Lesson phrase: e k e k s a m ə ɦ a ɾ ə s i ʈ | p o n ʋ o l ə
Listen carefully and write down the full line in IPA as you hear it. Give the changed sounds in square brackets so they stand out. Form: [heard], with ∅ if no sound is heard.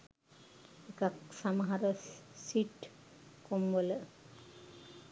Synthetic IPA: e k [a] k s a m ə ɦ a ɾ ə s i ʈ | [k] o [m] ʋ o l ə